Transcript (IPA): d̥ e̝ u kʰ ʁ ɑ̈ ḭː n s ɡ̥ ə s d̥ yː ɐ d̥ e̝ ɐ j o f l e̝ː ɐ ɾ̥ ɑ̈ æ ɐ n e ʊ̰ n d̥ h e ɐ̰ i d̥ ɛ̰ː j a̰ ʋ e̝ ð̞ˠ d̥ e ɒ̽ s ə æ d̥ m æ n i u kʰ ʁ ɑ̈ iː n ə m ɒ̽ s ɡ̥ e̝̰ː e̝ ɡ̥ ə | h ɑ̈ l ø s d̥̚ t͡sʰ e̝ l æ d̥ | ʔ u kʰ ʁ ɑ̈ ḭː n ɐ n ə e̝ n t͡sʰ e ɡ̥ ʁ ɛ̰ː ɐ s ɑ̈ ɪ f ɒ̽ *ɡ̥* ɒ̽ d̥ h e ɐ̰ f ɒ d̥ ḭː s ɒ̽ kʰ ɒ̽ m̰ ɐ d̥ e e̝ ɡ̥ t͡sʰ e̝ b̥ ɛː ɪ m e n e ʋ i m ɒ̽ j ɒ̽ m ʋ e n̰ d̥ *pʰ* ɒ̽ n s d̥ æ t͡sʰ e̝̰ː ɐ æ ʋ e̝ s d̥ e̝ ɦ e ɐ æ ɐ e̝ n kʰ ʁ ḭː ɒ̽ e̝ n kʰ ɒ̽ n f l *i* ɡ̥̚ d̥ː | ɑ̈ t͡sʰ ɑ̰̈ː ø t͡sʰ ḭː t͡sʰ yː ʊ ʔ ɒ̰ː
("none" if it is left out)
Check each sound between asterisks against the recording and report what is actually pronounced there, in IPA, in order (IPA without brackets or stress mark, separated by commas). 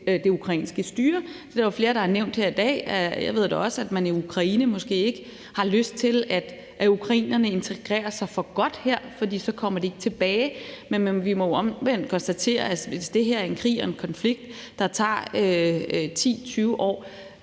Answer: ɡ̥, kʰ, i